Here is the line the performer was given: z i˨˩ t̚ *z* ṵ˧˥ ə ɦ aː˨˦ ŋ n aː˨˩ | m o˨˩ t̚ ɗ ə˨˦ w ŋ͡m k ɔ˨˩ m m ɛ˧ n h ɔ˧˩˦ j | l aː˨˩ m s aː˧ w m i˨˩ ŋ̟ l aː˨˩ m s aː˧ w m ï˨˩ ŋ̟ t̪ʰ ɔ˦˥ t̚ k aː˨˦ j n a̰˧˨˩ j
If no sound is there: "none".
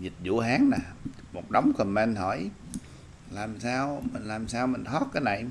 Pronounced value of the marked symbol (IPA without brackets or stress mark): z